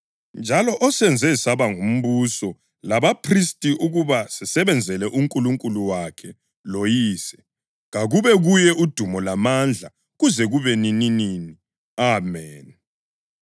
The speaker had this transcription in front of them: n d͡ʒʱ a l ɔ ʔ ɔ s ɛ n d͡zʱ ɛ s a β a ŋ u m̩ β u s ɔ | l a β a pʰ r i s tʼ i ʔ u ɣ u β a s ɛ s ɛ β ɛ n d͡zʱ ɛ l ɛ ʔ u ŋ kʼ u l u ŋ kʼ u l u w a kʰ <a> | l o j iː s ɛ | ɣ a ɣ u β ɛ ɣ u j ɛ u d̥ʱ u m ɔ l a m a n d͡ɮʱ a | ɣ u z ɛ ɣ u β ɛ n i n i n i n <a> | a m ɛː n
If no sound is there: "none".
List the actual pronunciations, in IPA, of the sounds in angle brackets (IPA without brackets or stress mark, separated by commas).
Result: ɛ, i